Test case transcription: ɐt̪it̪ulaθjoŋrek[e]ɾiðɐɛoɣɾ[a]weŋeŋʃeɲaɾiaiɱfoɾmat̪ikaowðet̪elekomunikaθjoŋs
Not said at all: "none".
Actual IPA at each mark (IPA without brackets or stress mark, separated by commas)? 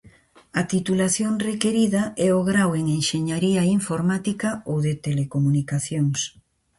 e, a